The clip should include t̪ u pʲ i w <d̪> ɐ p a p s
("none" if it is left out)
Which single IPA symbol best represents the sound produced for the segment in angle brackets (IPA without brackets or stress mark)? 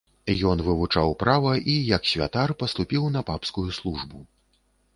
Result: n̪